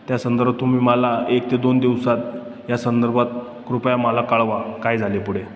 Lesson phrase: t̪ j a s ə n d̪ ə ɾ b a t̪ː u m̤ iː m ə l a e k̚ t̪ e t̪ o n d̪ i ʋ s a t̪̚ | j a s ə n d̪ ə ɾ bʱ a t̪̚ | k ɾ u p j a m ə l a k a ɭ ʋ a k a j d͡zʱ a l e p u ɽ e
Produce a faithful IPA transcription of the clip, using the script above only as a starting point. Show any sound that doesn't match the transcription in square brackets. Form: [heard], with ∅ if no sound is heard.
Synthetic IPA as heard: t̪ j a s ə n d̪ ə ɾ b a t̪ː u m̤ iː m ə l a e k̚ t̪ e [d̪] o n d̪ i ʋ s a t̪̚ | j a s ə n d̪ ə ɾ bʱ a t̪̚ | k ɾ u p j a m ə l a k a ɭ ʋ a k a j d͡zʱ a l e p u ɽ e